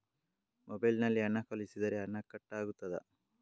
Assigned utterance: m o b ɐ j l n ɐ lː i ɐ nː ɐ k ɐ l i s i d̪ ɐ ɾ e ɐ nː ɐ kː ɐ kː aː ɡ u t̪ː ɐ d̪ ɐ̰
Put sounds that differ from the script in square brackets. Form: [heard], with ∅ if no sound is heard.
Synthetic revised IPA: m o b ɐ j l n ɐ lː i ɐ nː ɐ k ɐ l i s i d̪ ɐ ɾ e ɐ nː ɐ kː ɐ [ʈː] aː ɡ u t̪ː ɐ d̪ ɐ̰